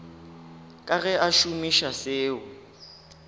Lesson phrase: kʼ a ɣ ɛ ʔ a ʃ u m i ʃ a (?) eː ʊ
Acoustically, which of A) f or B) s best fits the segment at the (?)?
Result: B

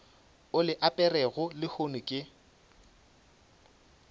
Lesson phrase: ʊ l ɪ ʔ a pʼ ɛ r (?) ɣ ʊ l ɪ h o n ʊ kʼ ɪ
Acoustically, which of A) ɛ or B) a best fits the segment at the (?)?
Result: A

